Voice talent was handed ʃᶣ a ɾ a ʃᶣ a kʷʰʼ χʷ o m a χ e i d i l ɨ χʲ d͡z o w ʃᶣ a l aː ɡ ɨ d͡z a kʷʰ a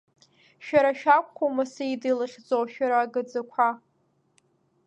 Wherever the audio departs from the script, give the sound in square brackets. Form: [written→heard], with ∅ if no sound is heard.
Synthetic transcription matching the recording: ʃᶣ a ɾ a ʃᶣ a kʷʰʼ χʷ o m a [χ→s] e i d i l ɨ χʲ d͡z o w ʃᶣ a [l→ɾ] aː ɡ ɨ d͡z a kʷʰ a